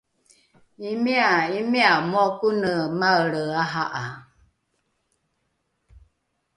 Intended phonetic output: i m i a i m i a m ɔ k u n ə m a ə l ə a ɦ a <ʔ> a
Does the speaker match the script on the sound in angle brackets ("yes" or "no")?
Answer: yes